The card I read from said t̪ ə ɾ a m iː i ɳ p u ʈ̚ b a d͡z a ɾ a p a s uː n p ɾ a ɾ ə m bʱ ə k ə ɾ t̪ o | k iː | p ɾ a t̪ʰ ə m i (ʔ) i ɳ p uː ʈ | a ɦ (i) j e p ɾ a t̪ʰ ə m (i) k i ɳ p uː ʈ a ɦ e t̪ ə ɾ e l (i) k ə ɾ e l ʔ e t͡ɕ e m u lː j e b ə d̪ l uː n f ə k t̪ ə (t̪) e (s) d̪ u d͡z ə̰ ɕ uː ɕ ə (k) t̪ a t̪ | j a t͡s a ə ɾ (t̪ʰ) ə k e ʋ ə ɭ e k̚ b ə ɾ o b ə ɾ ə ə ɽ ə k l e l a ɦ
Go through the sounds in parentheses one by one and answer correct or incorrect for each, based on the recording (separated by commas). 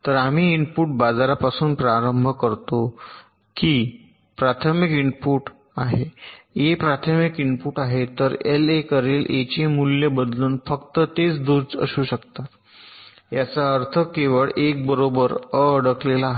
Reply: incorrect, incorrect, correct, incorrect, correct, incorrect, correct, correct